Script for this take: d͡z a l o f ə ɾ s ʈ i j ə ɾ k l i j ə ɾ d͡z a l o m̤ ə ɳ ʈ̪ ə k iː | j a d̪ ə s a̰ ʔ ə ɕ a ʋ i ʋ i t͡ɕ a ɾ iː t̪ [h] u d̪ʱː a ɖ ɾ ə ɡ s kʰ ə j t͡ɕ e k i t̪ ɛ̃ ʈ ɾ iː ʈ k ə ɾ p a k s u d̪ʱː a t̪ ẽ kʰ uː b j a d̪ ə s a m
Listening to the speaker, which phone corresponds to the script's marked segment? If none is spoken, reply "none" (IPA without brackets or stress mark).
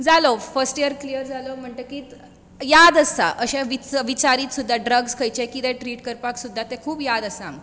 s